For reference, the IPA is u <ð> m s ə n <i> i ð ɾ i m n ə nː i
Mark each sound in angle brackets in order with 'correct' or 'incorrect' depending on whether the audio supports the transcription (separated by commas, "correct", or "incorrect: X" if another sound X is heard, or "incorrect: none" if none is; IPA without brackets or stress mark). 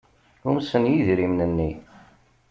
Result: incorrect: none, incorrect: j